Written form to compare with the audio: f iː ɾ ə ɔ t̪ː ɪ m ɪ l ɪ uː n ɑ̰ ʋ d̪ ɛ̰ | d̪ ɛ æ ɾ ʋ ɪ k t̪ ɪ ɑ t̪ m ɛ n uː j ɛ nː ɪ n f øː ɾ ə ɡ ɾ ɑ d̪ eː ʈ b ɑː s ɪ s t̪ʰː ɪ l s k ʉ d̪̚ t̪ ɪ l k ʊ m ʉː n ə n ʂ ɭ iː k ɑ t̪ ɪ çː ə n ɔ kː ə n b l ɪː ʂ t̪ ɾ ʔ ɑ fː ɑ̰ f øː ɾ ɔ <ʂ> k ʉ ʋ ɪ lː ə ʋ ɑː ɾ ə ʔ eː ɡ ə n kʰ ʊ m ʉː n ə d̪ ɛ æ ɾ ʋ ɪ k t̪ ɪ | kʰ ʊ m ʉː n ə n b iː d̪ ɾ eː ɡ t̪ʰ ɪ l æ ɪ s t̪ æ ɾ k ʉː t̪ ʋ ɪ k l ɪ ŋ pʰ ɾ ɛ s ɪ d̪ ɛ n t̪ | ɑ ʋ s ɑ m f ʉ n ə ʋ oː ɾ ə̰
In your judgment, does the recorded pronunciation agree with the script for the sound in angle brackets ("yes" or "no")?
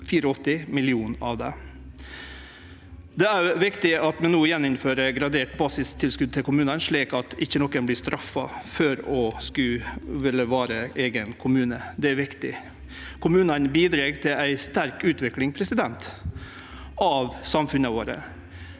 no